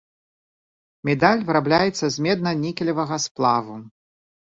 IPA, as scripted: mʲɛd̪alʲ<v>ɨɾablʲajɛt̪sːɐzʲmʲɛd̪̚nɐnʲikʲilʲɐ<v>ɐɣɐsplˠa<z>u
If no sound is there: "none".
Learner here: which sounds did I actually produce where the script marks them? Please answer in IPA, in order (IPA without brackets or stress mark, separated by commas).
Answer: v, v, v